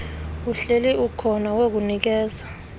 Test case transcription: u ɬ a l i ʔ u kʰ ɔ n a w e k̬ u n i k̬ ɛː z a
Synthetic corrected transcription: u ɬ e l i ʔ u kʰ ɔ n a w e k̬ u n i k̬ ɛː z a